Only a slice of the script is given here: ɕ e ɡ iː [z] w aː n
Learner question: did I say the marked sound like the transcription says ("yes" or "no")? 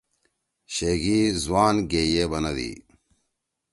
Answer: yes